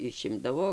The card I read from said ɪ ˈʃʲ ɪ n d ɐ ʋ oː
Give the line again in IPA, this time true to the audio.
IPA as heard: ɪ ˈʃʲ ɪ m d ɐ ʋ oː